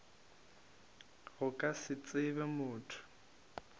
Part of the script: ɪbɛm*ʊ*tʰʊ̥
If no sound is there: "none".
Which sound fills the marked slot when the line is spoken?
ʊː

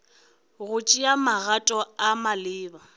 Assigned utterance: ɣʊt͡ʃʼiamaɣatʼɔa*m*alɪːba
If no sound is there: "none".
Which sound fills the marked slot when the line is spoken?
m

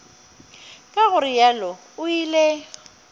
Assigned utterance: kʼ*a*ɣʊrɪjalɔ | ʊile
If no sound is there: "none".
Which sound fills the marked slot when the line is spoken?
a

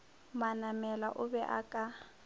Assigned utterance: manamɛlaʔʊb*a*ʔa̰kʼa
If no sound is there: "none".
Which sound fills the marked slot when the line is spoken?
ɛ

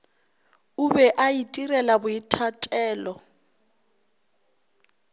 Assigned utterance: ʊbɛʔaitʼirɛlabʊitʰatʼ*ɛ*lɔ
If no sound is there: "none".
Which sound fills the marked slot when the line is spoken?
ɛː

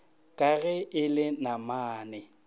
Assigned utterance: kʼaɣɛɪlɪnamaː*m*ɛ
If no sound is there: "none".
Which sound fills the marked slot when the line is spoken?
n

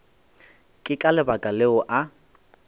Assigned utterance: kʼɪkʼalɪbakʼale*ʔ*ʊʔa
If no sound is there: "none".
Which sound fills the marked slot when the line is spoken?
none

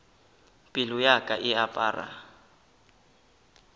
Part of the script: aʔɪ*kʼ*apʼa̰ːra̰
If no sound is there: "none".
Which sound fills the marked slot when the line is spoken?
none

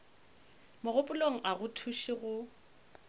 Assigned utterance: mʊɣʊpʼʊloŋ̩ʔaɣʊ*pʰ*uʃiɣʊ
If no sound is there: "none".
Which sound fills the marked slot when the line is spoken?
tʰ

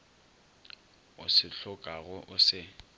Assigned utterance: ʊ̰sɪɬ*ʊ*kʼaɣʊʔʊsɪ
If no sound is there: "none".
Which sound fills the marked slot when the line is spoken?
ʊ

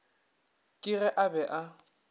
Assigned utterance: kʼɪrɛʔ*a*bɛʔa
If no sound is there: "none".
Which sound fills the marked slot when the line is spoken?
a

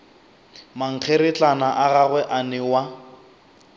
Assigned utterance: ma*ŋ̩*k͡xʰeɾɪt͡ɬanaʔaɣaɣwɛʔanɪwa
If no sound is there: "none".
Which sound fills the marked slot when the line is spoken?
ŋ̩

